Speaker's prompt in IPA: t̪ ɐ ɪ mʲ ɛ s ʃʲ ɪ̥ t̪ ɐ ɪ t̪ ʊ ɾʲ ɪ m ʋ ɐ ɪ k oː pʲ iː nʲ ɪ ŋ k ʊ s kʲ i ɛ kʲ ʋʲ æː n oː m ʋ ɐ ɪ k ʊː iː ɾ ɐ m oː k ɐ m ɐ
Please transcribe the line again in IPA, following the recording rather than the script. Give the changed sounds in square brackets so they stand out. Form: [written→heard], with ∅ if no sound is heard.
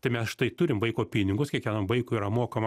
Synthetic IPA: t̪ ɐ ɪ mʲ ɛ s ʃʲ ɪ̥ t̪ ɐ ɪ t̪ ʊ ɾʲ ɪ m ʋ ɐ ɪ k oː pʲ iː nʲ ɪ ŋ [k→ɡ] ʊ s kʲ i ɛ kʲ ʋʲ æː n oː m ʋ ɐ ɪ k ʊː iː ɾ ɐ m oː k ɐ m ɐ